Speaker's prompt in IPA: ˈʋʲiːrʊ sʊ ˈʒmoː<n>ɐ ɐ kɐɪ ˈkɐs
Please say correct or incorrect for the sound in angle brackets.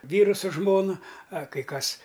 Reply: correct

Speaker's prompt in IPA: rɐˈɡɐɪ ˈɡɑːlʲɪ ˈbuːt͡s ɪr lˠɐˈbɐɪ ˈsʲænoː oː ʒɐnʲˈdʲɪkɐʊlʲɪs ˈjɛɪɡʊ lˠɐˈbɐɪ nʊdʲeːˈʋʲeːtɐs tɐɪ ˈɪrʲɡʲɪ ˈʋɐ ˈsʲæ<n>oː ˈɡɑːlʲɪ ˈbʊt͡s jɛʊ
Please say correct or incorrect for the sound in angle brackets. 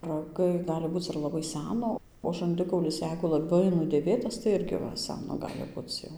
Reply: correct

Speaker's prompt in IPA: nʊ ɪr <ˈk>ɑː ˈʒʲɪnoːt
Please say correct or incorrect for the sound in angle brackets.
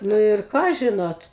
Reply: correct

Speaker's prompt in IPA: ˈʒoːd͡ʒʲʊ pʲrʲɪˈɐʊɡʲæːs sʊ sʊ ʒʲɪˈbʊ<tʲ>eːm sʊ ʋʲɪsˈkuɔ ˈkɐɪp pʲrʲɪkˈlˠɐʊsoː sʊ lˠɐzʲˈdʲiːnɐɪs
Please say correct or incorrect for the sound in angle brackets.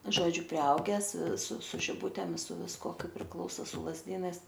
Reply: correct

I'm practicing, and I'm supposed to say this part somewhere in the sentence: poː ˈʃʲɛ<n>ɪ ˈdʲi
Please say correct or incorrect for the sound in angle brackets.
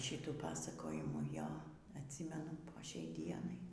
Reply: incorrect: none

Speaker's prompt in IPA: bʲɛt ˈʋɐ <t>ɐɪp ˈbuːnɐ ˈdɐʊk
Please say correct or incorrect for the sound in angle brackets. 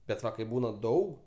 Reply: incorrect: k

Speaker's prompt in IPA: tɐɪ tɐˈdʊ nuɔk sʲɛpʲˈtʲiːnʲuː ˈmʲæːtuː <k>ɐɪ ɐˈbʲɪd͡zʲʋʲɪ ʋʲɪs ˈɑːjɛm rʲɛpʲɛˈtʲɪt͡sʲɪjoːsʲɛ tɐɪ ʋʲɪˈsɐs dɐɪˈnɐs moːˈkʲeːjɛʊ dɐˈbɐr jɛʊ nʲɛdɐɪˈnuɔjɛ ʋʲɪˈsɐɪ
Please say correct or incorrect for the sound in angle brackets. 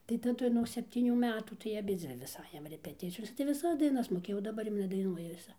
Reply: incorrect: t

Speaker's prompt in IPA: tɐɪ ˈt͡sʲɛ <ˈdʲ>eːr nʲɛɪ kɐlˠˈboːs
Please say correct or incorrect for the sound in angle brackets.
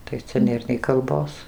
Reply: incorrect: nʲ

